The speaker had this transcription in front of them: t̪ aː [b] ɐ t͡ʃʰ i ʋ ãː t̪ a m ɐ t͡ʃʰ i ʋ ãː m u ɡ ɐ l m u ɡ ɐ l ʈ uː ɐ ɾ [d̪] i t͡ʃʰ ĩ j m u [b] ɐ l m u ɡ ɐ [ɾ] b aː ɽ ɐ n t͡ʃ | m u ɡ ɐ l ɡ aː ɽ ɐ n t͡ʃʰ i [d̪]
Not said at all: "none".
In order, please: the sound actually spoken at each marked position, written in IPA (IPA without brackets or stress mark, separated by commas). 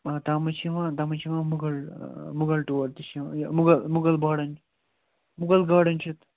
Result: m, t̪, ɡ, l, t̪